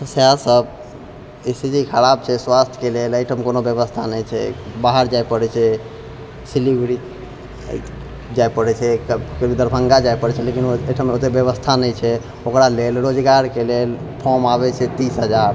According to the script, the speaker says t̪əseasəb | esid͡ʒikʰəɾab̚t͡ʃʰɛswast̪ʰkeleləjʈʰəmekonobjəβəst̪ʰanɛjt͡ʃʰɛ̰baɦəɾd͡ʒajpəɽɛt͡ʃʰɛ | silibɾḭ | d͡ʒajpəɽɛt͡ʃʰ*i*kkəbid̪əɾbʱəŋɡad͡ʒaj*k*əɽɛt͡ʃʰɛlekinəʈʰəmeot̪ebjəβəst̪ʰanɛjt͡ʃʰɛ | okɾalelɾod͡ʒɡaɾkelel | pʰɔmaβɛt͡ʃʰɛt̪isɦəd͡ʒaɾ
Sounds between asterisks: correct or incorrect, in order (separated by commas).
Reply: incorrect, incorrect